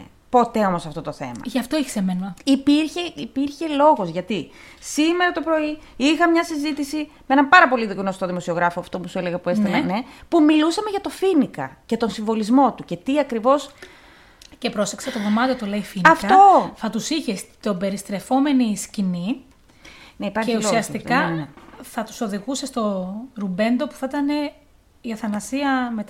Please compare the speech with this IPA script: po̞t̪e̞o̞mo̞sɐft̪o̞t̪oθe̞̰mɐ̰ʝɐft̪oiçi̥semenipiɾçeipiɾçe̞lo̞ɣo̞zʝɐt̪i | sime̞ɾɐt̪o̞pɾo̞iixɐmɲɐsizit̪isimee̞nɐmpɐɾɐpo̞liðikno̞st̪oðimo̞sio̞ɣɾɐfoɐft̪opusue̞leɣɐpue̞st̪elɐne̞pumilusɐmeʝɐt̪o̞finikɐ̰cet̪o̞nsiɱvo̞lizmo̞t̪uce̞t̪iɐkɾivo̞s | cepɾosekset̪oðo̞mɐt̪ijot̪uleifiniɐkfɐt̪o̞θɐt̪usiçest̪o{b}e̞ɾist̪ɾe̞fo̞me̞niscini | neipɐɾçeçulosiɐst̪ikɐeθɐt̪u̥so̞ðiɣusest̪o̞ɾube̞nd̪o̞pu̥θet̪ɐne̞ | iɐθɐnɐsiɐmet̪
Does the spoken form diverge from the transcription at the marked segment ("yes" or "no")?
no